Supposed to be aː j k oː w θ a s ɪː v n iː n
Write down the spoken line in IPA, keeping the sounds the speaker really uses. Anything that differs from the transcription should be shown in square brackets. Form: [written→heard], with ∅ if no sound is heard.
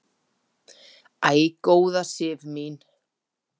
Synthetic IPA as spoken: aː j k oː w [θ→ð] a s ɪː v [n→m] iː n